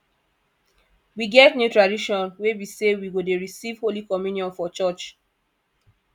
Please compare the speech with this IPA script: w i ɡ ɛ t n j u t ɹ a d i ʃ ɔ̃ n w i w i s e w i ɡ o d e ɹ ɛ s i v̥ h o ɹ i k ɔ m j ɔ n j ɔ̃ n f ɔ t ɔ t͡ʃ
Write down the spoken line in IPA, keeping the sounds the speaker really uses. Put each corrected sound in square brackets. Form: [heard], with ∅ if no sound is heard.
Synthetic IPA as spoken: w i ɡ ɛ t n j u t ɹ a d i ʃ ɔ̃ n w [e] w i s e w i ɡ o d e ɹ [i] s i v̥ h o [l] i k ɔ m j [u] n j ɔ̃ n f ɔ [t͡ʃ] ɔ t͡ʃ